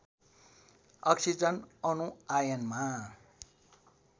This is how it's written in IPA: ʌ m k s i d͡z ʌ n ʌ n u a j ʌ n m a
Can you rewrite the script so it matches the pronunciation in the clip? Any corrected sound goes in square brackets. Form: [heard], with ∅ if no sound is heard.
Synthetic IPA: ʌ [∅] k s i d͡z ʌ n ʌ n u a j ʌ n m a